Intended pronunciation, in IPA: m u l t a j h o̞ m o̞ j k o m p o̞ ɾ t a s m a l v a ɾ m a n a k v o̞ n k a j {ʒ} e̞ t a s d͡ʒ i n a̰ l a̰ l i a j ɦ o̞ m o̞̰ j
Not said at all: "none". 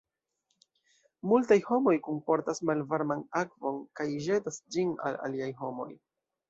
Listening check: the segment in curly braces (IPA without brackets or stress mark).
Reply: ʒ